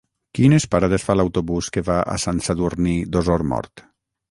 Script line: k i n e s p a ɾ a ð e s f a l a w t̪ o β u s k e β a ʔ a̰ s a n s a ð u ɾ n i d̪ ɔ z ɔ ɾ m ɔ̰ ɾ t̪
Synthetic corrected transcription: k i n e s p a ɾ a ð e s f a l a w t̪ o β u s k e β a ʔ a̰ s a n s a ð u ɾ n i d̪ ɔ z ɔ ɾ m ɔ̰ ɾ t̪